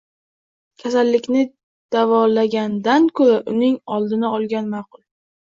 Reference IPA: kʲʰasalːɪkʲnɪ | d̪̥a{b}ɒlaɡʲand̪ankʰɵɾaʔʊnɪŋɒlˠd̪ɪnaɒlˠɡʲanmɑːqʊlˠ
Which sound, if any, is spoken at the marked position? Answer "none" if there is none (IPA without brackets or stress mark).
v